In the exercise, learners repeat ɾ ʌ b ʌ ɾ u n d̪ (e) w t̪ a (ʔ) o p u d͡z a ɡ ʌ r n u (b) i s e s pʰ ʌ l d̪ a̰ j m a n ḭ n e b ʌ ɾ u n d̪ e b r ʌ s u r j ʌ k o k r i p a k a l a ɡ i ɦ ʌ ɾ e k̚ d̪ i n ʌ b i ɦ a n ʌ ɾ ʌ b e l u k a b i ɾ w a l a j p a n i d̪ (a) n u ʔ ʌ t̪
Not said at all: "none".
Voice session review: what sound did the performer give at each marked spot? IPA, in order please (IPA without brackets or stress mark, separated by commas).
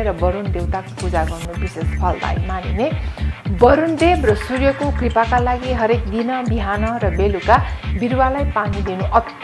e, k, b, i